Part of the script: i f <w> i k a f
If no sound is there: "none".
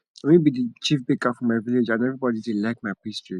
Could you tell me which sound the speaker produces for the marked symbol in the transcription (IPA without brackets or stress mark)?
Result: b